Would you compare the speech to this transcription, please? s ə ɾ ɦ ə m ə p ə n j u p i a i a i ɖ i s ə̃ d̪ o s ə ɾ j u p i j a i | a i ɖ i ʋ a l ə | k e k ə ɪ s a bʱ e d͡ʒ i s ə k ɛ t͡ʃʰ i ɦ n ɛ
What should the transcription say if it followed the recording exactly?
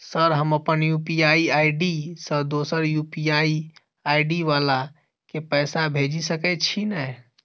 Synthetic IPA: s ə ɾ ɦ ə m ə p ə n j u p i a i a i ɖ i s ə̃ d̪ o s ə ɾ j u p i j a i | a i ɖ i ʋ a l a | k e p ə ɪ s a bʱ e d͡ʒ i s ə k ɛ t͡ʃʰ i n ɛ